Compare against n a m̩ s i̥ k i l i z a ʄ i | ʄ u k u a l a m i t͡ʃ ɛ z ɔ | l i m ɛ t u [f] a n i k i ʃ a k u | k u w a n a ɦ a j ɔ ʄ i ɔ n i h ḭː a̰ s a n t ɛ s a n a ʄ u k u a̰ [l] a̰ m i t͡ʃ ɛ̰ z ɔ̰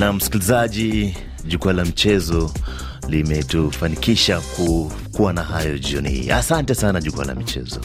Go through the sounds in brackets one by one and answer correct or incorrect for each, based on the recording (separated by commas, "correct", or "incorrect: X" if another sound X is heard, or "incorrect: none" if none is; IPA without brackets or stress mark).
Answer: correct, correct